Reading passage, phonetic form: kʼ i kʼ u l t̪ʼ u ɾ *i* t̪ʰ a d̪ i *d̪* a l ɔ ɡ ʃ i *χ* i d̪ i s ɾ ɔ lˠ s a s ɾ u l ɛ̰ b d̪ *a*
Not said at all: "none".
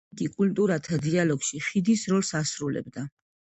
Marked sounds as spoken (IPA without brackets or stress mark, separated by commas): a, none, χ, a